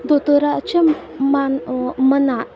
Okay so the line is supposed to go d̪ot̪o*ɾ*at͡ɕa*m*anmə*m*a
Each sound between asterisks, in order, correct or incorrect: correct, correct, incorrect

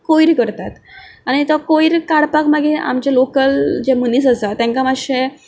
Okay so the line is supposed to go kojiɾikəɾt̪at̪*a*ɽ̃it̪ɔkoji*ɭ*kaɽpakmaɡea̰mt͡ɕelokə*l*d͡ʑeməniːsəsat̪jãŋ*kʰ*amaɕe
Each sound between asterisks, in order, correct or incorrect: correct, incorrect, correct, incorrect

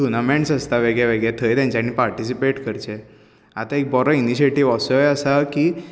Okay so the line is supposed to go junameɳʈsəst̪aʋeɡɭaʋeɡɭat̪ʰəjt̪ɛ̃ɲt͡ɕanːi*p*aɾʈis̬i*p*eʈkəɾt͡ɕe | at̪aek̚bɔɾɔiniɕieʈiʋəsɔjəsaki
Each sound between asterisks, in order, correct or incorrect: correct, correct

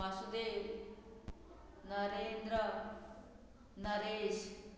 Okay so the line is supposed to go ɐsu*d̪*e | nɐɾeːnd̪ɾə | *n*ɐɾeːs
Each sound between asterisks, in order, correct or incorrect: correct, correct

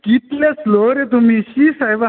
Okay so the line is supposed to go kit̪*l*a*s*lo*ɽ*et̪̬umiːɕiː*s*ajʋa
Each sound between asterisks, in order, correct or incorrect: correct, correct, incorrect, correct

